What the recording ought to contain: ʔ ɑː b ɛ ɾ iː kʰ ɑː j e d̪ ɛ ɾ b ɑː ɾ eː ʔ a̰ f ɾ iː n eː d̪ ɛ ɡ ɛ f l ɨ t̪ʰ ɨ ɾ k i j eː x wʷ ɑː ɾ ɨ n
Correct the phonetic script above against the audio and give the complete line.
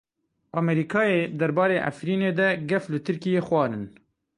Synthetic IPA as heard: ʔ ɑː m ɛ ɾ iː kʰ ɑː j e d̪ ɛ ɾ b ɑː ɾ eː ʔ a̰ f ɾ iː n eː d̪ ɛ ɡ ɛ f l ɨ t̪ʰ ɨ ɾ k i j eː x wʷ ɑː ɾ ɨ n